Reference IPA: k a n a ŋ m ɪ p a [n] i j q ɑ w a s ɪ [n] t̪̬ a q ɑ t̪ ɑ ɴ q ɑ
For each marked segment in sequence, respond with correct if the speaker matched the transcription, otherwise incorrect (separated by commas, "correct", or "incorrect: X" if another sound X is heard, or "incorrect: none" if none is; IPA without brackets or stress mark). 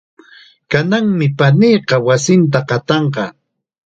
correct, correct